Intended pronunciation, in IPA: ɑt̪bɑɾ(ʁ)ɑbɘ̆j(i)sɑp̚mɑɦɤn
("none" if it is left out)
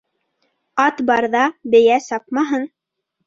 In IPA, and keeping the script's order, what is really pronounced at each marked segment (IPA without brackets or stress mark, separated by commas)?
ð, æ